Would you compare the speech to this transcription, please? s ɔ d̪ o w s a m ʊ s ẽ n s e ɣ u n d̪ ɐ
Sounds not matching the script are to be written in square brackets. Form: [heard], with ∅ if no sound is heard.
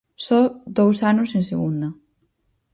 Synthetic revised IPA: s ɔ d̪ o w s a [n] ʊ s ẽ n s e ɣ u n d̪ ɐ